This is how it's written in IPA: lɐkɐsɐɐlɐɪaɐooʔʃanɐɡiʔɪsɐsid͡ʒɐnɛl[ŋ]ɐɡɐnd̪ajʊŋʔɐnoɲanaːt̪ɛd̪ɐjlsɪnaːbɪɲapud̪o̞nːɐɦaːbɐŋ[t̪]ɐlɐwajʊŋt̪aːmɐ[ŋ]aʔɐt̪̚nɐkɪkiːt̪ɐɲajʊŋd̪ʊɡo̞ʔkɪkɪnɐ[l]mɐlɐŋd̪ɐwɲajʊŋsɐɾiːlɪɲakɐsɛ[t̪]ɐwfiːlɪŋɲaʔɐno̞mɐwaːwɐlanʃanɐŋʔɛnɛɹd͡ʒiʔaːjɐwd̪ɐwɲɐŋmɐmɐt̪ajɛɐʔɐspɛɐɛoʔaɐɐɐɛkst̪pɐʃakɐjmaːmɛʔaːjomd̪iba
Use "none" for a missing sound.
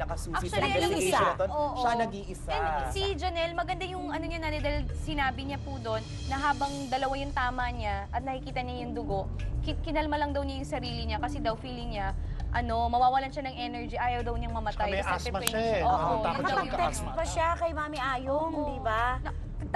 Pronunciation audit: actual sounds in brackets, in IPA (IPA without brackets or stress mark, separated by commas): m, d̪, ɲ, l, d̪